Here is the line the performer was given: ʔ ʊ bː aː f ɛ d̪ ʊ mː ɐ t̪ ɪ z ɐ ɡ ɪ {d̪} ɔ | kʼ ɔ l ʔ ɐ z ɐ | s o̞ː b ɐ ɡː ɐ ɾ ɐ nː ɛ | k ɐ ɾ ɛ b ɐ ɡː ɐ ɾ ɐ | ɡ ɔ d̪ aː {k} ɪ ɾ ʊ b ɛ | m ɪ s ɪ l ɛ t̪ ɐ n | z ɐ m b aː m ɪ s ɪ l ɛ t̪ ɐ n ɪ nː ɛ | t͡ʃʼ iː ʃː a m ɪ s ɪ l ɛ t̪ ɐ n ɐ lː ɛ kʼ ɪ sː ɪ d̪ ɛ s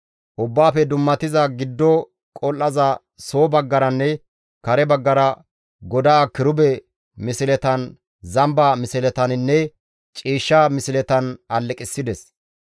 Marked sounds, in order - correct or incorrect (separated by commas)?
incorrect, correct